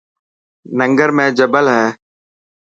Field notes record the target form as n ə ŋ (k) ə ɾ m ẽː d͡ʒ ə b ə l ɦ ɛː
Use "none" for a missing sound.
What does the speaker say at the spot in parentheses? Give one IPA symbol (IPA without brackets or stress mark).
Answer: ɡ